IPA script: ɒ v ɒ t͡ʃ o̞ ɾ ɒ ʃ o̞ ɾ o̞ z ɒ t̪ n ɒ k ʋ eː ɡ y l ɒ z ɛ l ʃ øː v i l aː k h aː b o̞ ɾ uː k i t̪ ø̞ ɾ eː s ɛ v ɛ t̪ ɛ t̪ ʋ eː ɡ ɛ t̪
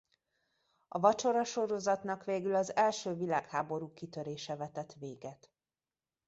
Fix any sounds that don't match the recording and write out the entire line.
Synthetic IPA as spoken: ɒ v ɒ t͡ʃ o̞ ɾ ɒ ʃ o̞ ɾ o̞ z ɒ t̪ n ɒ k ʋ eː ɡ y l ɒ z ɛ l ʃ øː v i l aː k h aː b o̞ ɾ uː k i t̪ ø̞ ɾ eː ʃ ɛ v ɛ t̪ ɛ t̪ ʋ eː ɡ ɛ t̪